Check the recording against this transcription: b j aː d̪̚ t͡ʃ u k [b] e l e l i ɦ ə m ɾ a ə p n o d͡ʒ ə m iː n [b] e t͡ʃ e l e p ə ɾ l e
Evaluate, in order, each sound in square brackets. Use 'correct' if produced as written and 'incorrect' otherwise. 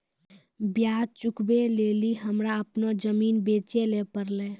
correct, correct

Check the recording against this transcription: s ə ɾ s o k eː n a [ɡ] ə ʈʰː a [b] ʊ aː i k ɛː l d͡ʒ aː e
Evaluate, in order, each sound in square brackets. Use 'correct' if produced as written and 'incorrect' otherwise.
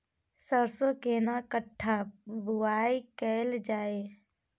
incorrect, correct

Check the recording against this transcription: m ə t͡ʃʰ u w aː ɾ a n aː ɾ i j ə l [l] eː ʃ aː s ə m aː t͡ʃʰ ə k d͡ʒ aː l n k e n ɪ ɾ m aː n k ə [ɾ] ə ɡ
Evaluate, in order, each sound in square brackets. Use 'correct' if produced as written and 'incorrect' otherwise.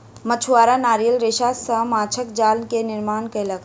incorrect, incorrect

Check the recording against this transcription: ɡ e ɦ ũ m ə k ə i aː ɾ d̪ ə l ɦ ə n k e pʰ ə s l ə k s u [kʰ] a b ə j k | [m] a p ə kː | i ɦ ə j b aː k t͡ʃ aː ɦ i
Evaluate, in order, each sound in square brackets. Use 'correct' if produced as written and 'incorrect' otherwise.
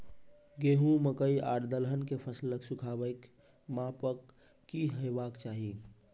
correct, correct

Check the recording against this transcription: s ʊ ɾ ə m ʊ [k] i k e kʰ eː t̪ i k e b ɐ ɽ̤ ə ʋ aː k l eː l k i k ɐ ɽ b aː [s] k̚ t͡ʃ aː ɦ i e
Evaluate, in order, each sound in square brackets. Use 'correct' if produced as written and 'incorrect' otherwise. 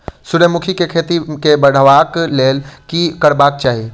incorrect, incorrect

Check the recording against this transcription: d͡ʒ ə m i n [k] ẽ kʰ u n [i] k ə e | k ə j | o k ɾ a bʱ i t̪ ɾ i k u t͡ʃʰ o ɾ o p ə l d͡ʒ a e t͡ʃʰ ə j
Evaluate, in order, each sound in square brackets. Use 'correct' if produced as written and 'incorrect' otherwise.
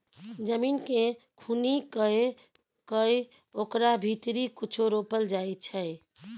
correct, correct

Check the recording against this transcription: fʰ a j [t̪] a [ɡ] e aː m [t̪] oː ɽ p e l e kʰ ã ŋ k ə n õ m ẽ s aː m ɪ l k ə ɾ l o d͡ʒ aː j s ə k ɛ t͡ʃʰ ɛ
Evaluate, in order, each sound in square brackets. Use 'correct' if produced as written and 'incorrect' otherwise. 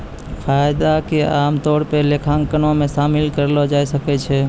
incorrect, incorrect, correct

